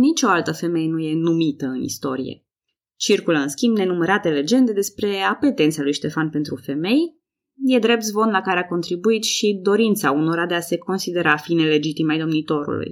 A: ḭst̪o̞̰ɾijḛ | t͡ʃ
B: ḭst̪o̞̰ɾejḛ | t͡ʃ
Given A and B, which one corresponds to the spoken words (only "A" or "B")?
A